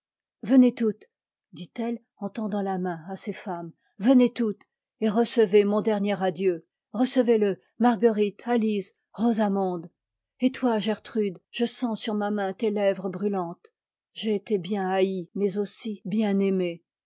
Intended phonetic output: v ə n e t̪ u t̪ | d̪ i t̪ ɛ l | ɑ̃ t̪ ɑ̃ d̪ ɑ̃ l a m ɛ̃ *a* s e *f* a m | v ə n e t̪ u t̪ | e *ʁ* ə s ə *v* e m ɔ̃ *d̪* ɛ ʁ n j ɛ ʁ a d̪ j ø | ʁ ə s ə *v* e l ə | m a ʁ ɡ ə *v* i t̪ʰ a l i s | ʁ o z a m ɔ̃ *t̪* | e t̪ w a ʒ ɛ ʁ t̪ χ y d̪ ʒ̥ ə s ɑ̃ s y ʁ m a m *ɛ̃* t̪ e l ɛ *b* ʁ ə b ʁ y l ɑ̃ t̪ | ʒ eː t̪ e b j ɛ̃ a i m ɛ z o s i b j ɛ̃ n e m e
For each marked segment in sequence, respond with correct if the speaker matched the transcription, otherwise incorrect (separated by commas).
correct, correct, correct, correct, correct, correct, incorrect, incorrect, correct, incorrect